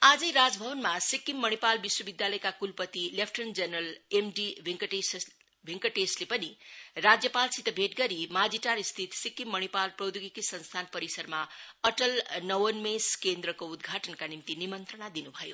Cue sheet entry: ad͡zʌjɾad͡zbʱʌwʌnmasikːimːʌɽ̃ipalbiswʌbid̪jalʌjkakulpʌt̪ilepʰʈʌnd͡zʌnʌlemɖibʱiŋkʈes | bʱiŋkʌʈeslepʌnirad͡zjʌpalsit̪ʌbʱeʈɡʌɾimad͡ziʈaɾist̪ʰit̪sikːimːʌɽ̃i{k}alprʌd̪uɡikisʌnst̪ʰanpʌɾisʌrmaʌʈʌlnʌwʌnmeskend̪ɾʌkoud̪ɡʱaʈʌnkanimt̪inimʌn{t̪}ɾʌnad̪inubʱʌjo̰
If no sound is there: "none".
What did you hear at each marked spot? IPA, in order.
p, t̪

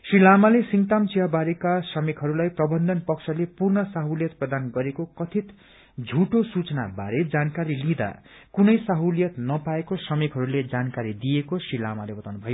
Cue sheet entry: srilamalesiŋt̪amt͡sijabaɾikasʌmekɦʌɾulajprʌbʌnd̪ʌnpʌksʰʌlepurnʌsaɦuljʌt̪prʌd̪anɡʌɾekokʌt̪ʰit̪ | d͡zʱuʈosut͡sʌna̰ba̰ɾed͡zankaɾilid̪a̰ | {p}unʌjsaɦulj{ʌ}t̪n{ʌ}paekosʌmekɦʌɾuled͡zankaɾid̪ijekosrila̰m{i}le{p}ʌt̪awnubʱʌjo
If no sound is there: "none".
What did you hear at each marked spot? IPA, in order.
k, ʌ, ʌ, a, b

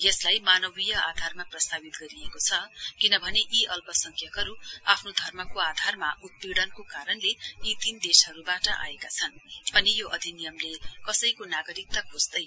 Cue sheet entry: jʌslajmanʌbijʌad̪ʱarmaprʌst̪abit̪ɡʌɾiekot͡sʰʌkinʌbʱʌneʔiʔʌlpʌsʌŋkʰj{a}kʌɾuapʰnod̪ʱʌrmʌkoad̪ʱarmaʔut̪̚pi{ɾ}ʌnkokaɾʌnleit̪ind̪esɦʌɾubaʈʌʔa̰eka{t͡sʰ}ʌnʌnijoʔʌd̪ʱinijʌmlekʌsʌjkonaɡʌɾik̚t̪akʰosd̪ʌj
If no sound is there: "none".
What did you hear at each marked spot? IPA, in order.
ʌ, ɽ, t͡sʰ

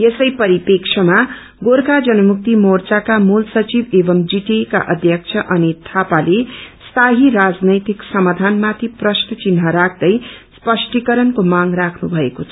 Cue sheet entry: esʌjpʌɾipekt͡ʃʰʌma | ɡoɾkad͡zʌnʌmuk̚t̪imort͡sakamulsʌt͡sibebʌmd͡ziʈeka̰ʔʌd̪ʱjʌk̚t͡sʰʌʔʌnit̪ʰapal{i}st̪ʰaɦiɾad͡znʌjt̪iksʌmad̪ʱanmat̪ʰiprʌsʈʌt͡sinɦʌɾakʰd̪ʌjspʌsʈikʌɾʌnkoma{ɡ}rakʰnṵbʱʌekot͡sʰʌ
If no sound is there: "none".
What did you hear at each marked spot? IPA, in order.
e, ŋ

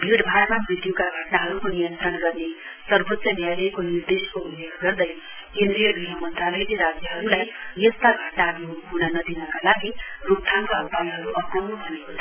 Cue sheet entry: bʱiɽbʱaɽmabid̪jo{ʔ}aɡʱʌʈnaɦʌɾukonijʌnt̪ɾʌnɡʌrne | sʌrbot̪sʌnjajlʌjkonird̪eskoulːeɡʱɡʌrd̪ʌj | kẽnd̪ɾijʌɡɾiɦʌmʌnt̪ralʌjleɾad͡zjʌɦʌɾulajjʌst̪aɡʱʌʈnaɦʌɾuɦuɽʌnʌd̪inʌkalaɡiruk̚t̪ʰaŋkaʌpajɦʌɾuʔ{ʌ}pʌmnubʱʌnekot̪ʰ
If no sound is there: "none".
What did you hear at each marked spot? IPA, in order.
k, ʌ

